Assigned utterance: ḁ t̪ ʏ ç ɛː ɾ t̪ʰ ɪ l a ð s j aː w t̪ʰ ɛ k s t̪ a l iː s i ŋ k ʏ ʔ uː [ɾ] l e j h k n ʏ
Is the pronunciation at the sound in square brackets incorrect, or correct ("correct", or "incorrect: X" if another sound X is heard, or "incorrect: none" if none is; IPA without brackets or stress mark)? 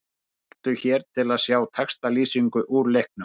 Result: correct